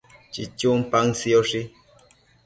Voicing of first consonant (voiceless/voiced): voiceless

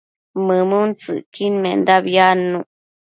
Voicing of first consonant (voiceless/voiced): voiced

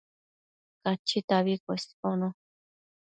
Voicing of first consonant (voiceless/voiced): voiceless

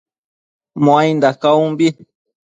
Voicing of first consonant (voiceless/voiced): voiced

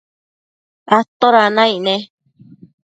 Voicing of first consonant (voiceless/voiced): voiceless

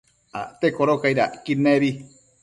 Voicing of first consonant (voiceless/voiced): voiceless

